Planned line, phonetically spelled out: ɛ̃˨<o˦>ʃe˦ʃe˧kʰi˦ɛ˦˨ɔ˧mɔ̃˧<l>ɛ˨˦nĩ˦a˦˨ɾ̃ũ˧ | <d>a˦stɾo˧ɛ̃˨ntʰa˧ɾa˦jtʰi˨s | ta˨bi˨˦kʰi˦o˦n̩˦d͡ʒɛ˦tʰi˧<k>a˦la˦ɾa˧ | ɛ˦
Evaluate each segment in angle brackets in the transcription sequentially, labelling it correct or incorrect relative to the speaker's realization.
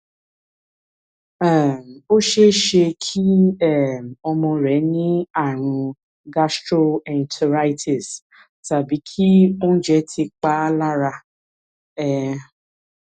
correct, incorrect: ɾ, incorrect: ɡ, incorrect: k͡p

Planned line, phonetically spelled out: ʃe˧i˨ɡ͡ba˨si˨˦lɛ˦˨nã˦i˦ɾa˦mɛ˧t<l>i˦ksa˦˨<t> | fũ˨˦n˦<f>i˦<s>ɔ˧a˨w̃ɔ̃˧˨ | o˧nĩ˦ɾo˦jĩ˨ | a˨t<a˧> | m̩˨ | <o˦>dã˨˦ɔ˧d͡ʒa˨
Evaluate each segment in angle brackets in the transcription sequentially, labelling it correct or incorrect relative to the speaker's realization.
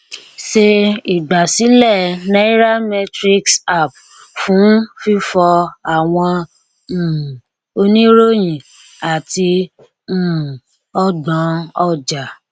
incorrect: ɾ, incorrect: p, correct, incorrect: f, incorrect: i˧, incorrect: ɔ˦

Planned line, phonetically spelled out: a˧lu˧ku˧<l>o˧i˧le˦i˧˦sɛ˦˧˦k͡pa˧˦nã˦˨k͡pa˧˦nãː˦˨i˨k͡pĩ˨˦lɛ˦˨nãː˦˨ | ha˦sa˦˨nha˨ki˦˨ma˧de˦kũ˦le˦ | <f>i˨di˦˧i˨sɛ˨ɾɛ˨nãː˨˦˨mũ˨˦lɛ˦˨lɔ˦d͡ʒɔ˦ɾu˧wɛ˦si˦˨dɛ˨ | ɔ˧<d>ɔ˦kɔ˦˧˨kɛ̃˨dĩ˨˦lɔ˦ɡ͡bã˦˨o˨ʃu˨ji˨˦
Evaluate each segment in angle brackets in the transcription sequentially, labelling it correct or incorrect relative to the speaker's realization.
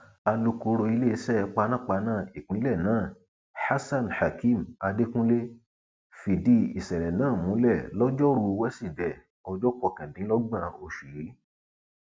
incorrect: ɾ, correct, incorrect: d͡ʒ

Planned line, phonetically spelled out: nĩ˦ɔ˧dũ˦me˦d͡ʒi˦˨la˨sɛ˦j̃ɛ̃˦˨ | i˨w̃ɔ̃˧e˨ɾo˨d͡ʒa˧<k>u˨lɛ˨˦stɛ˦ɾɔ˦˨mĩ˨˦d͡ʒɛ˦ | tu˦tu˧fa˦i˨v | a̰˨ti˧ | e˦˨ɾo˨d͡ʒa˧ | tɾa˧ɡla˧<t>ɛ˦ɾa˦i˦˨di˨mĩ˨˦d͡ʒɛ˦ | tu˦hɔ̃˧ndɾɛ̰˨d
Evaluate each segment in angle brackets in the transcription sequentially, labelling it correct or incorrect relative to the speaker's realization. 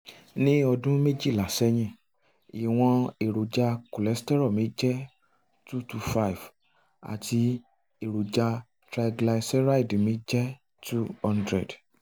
correct, incorrect: s

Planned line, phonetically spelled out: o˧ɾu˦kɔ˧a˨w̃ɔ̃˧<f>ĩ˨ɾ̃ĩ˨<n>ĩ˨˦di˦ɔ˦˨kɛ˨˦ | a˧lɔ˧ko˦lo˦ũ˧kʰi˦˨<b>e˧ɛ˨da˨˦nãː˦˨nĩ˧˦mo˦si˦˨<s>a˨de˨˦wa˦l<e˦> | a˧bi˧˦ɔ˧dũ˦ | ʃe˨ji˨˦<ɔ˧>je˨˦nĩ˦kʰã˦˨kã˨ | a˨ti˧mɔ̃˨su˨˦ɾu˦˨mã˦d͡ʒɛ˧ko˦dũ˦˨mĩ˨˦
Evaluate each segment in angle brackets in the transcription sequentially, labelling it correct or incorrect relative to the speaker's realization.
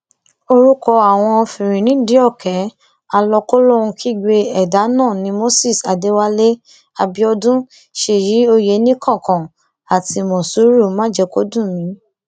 correct, correct, incorrect: ɡ͡b, correct, correct, incorrect: o˧

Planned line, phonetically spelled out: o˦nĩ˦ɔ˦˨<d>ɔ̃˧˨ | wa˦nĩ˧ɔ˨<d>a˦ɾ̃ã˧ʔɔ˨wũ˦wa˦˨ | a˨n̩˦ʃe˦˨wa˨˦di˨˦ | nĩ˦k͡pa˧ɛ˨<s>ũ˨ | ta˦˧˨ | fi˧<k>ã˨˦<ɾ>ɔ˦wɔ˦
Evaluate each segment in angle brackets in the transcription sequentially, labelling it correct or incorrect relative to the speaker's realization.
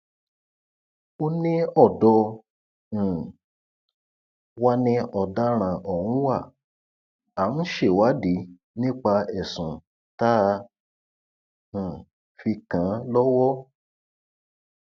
correct, correct, correct, correct, incorrect: l

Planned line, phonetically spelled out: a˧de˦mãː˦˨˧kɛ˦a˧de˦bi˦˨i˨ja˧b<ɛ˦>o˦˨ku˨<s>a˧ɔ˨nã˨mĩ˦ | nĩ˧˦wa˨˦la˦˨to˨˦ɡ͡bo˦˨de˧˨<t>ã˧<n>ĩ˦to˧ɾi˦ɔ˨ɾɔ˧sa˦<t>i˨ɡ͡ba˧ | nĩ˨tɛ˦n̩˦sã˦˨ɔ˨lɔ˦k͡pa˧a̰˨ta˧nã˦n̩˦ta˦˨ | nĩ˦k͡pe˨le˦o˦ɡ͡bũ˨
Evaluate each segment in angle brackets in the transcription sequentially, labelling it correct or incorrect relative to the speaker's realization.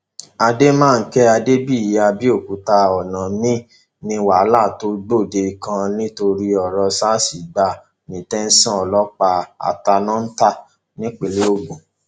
incorrect: i˦, incorrect: t, incorrect: k, correct, incorrect: s

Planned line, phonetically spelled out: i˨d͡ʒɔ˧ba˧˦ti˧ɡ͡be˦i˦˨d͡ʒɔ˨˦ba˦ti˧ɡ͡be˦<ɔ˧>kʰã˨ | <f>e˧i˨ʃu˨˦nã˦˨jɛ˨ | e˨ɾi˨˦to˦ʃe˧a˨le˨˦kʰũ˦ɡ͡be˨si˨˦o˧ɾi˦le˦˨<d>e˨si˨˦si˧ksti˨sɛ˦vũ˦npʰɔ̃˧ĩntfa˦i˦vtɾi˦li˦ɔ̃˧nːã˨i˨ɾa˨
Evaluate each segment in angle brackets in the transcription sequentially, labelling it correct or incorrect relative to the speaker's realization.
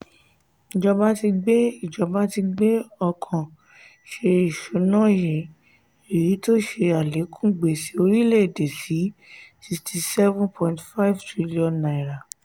correct, incorrect: ʃ, correct

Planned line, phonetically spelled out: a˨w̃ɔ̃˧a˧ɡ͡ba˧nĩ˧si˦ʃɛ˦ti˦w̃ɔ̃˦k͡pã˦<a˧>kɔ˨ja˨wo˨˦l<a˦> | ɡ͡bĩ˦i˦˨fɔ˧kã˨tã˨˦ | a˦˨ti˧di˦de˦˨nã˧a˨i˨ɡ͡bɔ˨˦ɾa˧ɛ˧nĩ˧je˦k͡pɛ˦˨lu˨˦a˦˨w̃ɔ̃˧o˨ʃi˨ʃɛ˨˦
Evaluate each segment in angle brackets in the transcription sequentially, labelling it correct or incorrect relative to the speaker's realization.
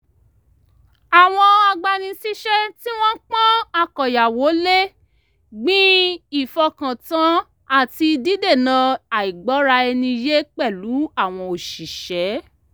correct, incorrect: e˦

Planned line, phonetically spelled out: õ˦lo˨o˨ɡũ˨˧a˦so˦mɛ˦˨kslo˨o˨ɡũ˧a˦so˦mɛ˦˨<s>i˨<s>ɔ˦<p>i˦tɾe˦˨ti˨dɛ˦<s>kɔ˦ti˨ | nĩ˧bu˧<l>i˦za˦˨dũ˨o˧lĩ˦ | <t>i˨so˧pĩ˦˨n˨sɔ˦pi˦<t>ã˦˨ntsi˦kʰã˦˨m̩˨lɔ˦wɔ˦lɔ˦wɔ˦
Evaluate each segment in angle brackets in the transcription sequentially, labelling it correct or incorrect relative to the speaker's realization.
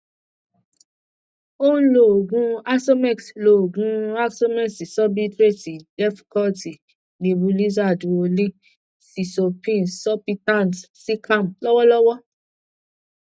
correct, correct, incorrect: b, incorrect: f, correct, incorrect: s, correct

